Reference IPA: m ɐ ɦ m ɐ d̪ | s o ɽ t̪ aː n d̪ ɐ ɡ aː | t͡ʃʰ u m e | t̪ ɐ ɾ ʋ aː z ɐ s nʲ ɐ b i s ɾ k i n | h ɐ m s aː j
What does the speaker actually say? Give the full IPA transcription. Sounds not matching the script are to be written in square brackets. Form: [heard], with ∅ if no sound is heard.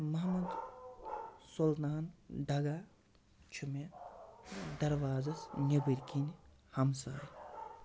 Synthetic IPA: m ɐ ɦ m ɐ d̪ | s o [l] t̪ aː n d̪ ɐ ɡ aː | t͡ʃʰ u m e | [d̪] ɐ ɾ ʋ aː z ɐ s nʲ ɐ b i [∅] ɾ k i n | h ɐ m s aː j